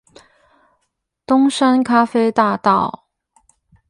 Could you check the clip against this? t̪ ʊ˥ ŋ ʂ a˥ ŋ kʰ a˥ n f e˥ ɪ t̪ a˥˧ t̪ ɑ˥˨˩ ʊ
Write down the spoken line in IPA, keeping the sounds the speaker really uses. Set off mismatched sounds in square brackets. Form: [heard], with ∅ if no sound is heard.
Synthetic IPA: t̪ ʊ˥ ŋ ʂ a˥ [n] kʰ a˥ [∅] f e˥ ɪ t̪ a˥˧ t̪ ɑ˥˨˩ ʊ

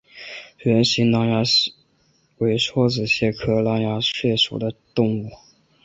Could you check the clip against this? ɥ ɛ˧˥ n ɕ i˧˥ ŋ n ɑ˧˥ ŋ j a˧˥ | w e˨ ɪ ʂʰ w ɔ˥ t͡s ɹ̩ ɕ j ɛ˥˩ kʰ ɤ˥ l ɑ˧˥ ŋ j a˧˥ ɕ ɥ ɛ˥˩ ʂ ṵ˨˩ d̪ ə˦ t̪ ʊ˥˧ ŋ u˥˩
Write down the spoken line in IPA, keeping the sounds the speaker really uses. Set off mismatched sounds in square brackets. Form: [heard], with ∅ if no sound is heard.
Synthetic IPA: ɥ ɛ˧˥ n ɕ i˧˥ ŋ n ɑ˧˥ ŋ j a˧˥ | w [e˧˥] ɪ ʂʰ w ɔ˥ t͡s ɹ̩ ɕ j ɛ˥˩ kʰ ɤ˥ l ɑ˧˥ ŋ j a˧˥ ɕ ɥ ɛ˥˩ ʂ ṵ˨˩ d̪ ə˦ t̪ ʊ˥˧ ŋ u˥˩

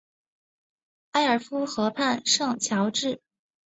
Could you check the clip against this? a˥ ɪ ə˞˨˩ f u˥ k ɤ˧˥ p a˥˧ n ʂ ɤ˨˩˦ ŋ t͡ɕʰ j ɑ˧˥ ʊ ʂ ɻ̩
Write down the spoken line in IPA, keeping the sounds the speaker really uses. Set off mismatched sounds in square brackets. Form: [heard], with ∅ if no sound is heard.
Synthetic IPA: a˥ ɪ ə˞˨˩ f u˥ [x] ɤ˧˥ [pʰ] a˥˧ n ʂ [ɤ˥˩] ŋ t͡ɕʰ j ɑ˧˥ ʊ [ʈ͡ʂ] ɻ̩

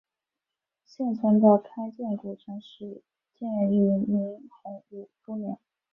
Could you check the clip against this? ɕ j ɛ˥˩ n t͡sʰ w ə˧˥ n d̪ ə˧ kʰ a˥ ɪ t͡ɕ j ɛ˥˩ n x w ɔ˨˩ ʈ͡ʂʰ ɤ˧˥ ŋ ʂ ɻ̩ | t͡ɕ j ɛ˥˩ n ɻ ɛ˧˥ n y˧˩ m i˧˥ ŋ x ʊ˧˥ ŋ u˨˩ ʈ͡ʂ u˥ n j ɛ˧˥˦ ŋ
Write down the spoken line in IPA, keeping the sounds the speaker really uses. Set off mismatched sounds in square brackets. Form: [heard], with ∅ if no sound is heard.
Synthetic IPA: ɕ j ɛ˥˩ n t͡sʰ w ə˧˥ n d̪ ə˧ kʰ a˥ ɪ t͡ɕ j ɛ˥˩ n [k] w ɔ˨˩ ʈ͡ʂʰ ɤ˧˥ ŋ ʂ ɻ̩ | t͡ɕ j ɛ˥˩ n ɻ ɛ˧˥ n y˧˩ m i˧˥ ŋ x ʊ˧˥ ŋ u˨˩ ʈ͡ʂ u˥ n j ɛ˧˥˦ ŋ

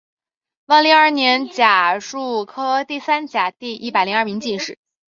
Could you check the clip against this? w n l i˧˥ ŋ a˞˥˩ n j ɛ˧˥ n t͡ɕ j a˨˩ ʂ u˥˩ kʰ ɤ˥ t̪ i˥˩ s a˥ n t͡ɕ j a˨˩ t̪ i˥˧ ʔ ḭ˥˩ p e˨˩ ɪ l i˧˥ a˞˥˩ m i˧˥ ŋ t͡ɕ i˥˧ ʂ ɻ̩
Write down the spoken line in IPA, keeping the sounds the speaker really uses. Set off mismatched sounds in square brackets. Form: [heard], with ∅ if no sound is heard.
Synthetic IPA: w n l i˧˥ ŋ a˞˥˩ n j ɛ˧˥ n t͡ɕ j a˨˩ ʂ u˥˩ kʰ ɤ˥ t̪ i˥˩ s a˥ n t͡ɕ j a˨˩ t̪ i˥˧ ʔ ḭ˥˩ p [a˨˩] ɪ l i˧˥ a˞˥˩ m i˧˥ ŋ t͡ɕ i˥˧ ʂ ɻ̩

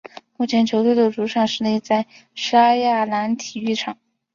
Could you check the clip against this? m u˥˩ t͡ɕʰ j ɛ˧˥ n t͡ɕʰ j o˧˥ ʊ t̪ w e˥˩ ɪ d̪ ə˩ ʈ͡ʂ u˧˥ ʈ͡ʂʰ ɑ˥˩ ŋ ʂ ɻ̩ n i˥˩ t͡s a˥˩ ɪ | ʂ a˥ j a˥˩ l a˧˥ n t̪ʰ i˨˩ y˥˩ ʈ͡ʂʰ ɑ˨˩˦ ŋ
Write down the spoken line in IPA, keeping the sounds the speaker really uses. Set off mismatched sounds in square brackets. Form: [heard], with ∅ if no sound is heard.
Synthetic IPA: m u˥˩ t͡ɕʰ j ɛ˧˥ n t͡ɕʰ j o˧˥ ʊ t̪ w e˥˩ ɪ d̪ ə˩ ʈ͡ʂ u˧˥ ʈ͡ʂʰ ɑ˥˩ ŋ ʂ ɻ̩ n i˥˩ t͡s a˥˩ ɪ | ʂ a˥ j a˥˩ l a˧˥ n t̪ʰ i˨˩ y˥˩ ʈ͡ʂʰ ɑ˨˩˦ ŋ

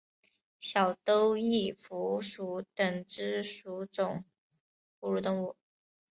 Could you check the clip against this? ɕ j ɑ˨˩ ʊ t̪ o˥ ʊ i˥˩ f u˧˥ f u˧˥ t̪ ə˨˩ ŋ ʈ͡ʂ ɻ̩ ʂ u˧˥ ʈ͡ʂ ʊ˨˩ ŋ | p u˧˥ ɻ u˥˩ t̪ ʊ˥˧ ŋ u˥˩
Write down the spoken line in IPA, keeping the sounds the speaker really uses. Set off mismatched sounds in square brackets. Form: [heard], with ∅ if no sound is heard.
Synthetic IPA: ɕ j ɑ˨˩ ʊ t̪ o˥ ʊ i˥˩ f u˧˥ [ʂ] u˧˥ t̪ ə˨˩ ŋ ʈ͡ʂ ɻ̩ ʂ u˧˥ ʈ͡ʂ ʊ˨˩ ŋ | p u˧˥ ɻ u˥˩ t̪ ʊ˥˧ ŋ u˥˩

